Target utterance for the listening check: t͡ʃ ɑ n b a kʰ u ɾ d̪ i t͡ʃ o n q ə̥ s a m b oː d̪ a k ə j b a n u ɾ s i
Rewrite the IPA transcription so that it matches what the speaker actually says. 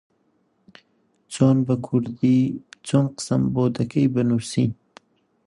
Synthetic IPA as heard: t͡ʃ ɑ n b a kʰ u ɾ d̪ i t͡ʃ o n q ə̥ s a m b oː d̪ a k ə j b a n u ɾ s i